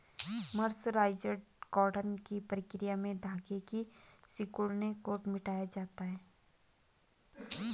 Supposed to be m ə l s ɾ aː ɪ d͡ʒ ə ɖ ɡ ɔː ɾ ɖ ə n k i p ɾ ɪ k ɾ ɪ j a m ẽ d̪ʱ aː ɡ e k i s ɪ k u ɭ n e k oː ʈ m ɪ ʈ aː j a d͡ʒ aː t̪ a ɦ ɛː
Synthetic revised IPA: m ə ɾ s ɾ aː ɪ d͡ʒ ə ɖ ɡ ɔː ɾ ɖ ə n k i p ɾ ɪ k ɾ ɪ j a m ẽ d̪ʱ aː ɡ e k i s ɪ k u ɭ n e k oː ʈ m ɪ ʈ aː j a d͡ʒ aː t̪ a ɦ ɛː